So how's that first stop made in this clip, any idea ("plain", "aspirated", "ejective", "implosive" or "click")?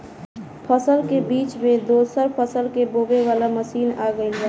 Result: aspirated